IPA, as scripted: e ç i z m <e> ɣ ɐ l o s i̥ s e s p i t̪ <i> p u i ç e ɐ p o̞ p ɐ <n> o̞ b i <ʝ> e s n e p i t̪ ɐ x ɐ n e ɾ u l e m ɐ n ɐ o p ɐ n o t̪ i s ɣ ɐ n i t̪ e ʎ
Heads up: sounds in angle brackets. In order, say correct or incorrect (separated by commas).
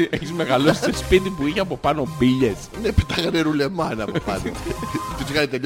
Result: correct, correct, correct, incorrect